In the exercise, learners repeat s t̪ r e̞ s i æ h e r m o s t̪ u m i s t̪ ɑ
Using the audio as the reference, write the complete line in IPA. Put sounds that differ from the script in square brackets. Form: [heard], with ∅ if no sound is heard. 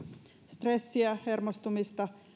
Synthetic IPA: s t̪ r e̞ [sː] i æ h e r m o s t̪ u m i s t̪ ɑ

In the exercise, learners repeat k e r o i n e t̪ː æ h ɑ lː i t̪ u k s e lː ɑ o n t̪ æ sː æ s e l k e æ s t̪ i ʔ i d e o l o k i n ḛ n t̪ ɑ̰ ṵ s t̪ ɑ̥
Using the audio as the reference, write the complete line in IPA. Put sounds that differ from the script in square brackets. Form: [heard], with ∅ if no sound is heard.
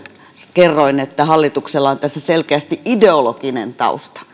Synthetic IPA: k e [rː] o i n e t̪ː æ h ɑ lː i t̪ u k s e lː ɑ o n t̪ æ sː æ s e l k e æ s t̪ i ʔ i d e o l o k i n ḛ n t̪ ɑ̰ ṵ s t̪ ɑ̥

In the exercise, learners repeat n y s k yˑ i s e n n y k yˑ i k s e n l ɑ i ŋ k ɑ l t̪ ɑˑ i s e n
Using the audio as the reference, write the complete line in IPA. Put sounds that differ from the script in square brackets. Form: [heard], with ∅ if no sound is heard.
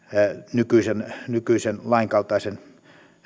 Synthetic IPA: n y [∅] k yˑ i s e n n y k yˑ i [∅] s e n l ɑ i ŋ k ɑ l t̪ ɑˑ i s e n

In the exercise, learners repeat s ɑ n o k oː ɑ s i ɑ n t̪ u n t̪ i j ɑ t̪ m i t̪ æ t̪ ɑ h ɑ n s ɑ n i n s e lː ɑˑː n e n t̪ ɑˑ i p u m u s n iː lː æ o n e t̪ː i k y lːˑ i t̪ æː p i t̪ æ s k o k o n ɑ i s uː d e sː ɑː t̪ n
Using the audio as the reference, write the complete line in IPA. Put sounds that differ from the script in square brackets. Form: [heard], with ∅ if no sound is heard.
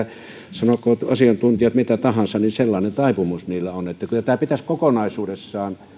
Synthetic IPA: s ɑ n o k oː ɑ s i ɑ n t̪ u n t̪ i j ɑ t̪ m i t̪ æ t̪ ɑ h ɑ n s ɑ n i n s e lː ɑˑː n e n t̪ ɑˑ i p u m u s n iː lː æ o n e t̪ː [æ] k y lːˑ [æ] t̪ æː p i t̪ æ s k o k o n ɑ i s uː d e sː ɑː [∅] n

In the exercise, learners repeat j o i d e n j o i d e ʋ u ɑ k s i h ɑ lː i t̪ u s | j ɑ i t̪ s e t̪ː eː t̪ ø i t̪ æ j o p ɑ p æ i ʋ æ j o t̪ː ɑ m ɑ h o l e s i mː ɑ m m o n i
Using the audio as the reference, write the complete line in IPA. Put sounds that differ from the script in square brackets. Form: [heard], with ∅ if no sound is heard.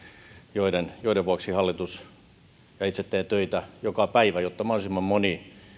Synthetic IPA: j o i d e n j o i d e ʋ u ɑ k s i h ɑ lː i t̪ u s | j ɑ i t̪ s e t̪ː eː t̪ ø i t̪ æ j o [k] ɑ p æ i ʋ æ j o t̪ː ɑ m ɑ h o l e s i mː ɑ m m o n i

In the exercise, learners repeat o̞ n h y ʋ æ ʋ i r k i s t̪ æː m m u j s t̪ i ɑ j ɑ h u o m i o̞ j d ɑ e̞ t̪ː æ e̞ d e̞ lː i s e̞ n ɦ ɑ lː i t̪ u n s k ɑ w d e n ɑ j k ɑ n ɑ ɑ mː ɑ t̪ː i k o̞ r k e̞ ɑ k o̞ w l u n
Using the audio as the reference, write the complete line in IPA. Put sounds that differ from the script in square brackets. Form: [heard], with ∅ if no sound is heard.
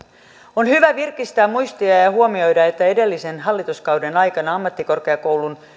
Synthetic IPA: o̞ n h y ʋ æ ʋ i r k i s t̪ æː m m u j s t̪ i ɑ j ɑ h u o m i o̞ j d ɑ e̞ t̪ː æ e̞ d e̞ lː i s e̞ n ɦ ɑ lː i t̪ u [∅] s k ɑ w d e n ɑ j k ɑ n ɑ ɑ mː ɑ t̪ː i k o̞ r k e̞ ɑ k o̞ w l u n

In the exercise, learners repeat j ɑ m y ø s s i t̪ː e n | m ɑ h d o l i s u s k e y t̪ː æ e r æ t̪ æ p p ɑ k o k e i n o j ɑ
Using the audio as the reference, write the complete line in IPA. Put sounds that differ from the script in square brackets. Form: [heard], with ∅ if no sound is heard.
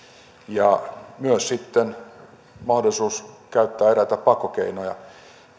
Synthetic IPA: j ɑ m y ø s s i t̪ː e n | m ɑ h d o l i s [uː] s k [æ] y t̪ː [æː] e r æ t̪ æ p p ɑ k o k e i n o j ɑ

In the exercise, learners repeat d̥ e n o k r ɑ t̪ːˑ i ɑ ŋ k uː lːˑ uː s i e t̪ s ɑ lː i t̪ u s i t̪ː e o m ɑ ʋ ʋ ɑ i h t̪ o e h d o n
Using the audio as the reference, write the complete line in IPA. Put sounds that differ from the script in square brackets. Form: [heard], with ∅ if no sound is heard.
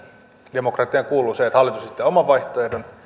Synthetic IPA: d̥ e [m] o k r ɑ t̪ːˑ i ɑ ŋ k uː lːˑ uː s [e] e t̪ [h] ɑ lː i t̪ u s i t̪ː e o m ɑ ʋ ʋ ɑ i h t̪ o e h d o n

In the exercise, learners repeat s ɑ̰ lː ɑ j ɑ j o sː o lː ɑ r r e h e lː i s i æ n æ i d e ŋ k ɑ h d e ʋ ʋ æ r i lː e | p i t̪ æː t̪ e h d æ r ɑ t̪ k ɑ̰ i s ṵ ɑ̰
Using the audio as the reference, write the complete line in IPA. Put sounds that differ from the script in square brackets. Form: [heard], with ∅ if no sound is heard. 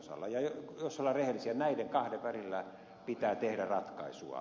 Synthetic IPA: s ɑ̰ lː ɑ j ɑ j o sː o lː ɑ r r e h e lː i s i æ n æ i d e ŋ k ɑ h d e ʋ ʋ æ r i lː [æ] | p i t̪ æː t̪ e h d æ r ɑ t̪ k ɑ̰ i s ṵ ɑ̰

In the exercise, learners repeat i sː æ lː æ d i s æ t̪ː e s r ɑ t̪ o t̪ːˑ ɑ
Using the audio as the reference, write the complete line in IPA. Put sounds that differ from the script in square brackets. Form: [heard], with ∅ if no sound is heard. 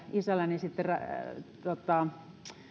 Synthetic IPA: i [s] æ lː æ [n] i s [i] t̪ː e [∅] r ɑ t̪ o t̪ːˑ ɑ

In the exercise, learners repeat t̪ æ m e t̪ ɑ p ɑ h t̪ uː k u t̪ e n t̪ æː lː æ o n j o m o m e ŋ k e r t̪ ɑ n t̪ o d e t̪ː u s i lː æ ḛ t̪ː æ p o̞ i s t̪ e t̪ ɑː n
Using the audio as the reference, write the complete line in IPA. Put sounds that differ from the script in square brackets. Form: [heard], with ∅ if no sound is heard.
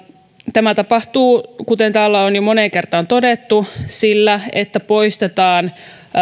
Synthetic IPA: t̪ æ m [æ] t̪ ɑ p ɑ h t̪ uː k u t̪ e n t̪ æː lː æ o n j o m o [n] e ŋ k e r t̪ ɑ n t̪ o d e t̪ː u s i lː æ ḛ t̪ː æ p o̞ i s t̪ e t̪ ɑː n

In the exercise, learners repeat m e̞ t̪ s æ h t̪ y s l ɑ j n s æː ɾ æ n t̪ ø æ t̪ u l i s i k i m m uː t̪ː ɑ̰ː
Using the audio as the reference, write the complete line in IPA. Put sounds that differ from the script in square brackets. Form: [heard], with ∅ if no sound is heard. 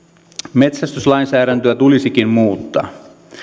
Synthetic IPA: m e̞ t̪ s æ [s] t̪ y s l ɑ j n s æː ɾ æ n t̪ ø æ t̪ u l i s i k i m m uː t̪ː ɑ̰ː

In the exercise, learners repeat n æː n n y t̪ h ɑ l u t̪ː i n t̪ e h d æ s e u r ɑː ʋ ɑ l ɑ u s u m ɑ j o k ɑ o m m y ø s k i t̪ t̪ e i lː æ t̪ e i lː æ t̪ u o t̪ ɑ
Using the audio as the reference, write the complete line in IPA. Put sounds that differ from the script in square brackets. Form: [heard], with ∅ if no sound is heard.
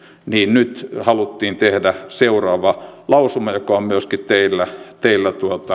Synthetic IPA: n [iː] n n y t̪ h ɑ l u t̪ː [iː] n t̪ e h d æ s e u r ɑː ʋ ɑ l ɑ u s u m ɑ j o k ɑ o m m y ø s k i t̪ t̪ e i lː æ t̪ e i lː æ t̪ u o t̪ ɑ

